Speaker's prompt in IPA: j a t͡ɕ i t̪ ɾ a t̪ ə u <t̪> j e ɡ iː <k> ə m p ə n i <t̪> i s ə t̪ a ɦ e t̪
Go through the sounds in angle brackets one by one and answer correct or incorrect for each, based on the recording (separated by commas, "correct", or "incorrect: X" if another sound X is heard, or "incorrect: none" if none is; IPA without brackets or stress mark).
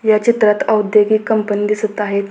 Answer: incorrect: d̪, correct, incorrect: d̪